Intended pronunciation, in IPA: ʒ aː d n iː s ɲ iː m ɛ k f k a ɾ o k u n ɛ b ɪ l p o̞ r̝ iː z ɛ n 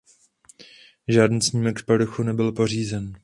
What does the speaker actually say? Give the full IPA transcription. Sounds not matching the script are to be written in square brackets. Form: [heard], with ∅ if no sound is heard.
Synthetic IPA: ʒ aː d n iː s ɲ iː m ɛ k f [p] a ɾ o [x] u n ɛ b ɪ l p o̞ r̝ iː z ɛ n